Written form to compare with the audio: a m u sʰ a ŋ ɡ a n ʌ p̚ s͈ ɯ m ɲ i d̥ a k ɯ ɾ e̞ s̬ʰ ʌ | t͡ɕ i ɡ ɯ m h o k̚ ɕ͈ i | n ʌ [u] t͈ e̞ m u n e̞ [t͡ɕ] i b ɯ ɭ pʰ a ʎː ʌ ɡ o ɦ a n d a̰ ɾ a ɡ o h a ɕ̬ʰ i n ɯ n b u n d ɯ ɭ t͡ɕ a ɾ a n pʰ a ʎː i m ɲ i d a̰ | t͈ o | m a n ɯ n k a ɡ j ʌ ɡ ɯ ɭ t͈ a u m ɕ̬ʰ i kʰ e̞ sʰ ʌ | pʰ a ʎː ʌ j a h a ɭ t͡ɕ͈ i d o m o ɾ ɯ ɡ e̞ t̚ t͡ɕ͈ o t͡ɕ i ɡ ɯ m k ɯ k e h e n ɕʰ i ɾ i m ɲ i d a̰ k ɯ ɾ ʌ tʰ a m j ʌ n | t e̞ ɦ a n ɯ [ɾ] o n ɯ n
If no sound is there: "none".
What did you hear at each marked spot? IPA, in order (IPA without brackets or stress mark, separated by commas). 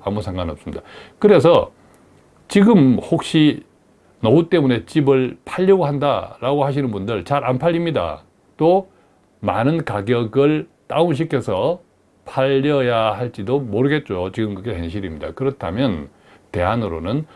u, t͡ɕ, ɾ